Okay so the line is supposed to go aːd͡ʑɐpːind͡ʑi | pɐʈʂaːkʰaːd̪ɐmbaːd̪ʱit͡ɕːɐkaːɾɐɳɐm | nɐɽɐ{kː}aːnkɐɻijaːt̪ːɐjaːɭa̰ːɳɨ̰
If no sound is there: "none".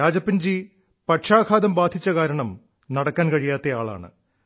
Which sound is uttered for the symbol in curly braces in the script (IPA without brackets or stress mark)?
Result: kː